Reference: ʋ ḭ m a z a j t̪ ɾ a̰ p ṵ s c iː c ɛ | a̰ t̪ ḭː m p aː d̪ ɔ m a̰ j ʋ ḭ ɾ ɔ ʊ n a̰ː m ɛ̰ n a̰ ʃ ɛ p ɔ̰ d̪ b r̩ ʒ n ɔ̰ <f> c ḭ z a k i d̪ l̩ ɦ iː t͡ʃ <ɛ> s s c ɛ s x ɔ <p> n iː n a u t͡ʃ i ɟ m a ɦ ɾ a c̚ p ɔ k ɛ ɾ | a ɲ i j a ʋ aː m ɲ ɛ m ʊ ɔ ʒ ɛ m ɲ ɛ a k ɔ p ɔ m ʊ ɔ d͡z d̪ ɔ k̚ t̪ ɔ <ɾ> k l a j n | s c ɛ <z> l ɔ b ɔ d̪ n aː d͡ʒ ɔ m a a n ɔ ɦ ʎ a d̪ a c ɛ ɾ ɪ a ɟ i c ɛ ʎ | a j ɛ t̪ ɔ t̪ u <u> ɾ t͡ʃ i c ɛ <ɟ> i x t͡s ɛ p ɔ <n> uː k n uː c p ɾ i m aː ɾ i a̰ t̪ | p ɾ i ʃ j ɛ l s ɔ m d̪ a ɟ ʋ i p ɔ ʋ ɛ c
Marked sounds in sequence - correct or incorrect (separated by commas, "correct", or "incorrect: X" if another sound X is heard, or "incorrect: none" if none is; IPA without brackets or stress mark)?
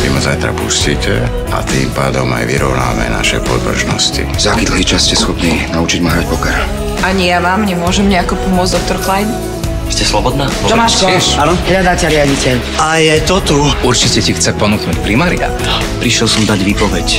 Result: incorrect: s, incorrect: a, correct, correct, incorrect: s, correct, incorrect: c, correct